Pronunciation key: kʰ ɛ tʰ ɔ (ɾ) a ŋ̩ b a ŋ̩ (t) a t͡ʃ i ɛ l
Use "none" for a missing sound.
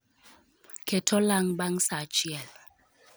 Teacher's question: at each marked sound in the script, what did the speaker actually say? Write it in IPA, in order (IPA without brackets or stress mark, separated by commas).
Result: l, s